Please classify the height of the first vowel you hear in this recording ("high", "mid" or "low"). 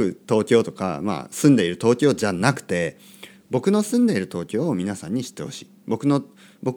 high